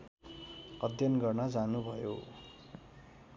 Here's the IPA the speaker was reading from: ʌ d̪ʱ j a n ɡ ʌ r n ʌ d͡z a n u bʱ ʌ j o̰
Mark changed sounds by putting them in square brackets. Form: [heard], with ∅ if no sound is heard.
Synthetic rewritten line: ʌ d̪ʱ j [ʌ] n ɡ ʌ r n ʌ d͡z a n u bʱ ʌ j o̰